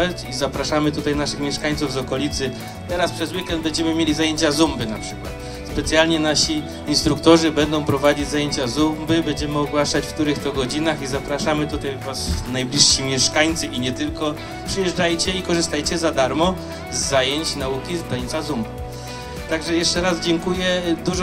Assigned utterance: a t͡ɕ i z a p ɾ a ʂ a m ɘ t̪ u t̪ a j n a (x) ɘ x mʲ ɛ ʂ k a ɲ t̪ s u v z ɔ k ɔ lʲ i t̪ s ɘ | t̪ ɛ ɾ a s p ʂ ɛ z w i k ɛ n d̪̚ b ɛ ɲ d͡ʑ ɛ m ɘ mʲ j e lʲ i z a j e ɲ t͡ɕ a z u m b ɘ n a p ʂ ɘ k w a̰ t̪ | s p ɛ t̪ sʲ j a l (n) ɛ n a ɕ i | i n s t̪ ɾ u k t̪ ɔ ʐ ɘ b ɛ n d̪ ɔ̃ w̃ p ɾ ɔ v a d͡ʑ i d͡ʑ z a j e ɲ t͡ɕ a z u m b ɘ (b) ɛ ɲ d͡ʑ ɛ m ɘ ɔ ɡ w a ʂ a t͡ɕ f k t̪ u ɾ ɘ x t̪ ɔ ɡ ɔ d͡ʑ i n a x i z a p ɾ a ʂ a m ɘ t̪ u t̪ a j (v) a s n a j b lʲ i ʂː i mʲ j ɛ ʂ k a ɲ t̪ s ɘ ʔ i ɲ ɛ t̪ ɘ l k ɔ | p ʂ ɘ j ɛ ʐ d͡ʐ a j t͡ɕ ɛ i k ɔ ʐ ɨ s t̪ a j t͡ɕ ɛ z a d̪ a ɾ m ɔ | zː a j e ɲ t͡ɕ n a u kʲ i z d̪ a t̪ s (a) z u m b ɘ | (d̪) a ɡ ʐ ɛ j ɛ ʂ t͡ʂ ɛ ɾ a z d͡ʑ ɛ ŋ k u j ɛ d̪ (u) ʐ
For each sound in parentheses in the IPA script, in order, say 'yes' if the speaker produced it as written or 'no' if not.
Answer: no, no, yes, yes, yes, no, yes

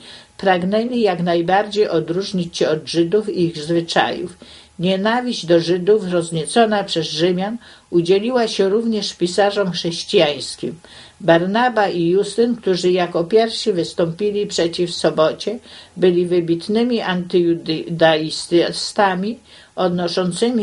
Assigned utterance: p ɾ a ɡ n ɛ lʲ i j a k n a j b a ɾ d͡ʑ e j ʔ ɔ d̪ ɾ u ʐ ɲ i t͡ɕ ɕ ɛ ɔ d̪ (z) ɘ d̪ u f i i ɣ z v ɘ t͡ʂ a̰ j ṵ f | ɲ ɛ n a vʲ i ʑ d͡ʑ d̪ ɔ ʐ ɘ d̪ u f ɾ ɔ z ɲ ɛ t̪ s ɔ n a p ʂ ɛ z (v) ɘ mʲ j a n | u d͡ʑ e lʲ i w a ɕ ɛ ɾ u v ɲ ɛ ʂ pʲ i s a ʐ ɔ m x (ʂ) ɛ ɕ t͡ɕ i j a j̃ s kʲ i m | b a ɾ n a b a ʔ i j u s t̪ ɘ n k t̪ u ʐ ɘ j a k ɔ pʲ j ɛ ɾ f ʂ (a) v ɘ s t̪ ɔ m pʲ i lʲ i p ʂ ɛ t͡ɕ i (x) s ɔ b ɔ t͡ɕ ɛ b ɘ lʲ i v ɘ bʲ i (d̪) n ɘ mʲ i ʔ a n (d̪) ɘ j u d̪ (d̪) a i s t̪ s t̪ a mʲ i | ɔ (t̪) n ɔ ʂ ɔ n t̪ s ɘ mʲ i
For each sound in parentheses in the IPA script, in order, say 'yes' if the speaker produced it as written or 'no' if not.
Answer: no, no, yes, no, no, no, no, yes, no

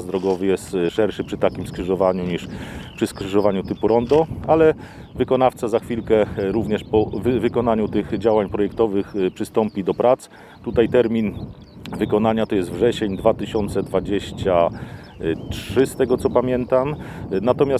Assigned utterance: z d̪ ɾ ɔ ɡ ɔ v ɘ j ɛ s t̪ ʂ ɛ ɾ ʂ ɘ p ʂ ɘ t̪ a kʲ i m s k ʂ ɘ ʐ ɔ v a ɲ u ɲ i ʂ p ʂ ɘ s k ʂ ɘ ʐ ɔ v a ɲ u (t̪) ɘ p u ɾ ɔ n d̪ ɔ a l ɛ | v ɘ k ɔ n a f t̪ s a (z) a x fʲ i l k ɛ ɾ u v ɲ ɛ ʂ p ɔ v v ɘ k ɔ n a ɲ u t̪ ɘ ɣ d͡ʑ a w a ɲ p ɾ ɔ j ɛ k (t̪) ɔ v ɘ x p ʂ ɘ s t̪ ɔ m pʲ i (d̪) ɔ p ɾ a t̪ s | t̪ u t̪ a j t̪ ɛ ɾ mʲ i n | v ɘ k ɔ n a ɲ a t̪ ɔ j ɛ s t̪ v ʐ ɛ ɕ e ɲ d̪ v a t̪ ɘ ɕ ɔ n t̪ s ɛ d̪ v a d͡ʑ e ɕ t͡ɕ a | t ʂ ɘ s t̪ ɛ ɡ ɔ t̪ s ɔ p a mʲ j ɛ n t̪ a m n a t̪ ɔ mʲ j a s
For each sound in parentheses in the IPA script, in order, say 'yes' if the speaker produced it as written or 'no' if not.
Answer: yes, yes, yes, yes

